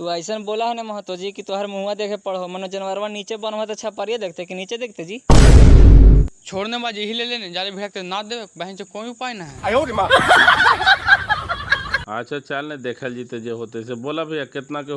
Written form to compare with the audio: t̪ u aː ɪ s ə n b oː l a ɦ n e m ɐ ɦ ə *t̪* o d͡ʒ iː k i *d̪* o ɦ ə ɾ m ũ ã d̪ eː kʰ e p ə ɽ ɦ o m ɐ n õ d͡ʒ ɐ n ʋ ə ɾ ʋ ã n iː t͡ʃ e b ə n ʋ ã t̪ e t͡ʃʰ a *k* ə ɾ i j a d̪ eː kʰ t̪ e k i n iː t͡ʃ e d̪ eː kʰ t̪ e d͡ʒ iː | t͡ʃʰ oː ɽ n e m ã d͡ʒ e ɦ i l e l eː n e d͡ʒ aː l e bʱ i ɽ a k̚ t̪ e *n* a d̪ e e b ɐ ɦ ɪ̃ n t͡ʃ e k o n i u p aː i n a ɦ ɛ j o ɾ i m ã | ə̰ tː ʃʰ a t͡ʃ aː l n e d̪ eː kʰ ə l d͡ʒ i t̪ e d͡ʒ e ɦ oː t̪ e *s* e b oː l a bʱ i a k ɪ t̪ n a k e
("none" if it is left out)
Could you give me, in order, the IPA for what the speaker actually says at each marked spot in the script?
t̪, t̪, p, n, s

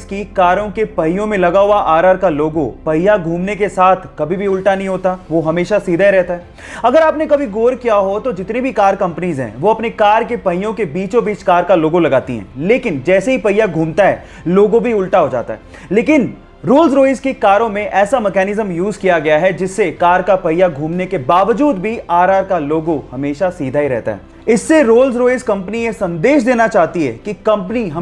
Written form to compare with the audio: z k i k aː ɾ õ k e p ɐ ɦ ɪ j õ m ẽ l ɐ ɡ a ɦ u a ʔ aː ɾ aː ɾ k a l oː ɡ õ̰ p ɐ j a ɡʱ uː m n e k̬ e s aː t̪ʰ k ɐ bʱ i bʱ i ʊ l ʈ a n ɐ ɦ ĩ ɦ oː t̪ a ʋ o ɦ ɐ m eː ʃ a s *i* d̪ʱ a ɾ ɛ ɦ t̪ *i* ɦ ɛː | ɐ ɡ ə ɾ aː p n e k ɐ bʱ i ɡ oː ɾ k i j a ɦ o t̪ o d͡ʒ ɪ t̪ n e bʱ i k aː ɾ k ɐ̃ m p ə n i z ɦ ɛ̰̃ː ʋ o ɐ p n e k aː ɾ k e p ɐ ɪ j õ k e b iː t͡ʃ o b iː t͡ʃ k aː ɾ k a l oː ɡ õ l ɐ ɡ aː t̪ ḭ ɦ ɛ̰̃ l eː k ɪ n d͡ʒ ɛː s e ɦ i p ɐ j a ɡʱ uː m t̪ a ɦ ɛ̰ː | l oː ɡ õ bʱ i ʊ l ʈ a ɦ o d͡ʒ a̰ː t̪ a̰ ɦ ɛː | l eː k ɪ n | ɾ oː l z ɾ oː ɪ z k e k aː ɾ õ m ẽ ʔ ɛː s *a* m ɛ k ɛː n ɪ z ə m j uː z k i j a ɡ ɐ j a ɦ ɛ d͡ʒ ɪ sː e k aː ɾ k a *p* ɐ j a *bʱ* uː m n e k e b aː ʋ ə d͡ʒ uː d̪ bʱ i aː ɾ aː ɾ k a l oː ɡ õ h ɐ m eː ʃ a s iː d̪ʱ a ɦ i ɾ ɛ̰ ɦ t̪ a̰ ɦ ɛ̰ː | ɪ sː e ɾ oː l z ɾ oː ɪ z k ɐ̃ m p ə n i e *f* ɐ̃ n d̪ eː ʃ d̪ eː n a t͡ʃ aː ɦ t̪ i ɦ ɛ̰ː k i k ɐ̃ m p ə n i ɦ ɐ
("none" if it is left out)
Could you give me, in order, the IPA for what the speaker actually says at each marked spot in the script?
iː, a, a, p, ɡʱ, s

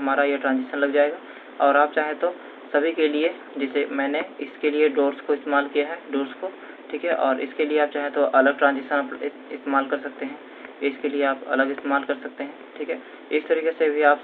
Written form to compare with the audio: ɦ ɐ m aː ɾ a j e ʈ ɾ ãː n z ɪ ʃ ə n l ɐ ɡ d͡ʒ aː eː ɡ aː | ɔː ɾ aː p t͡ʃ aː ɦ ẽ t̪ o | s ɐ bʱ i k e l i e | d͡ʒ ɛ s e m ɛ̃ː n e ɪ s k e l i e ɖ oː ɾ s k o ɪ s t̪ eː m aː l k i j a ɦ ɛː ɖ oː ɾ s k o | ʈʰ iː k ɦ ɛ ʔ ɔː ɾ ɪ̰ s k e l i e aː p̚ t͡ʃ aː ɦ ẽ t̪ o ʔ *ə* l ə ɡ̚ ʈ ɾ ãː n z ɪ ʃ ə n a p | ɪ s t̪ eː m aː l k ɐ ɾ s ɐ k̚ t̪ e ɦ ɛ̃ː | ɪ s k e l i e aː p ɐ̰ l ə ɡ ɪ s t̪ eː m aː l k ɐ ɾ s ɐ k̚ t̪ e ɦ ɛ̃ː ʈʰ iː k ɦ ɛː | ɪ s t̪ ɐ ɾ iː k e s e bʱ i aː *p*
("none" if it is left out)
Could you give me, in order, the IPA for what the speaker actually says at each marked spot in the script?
ɐ, p

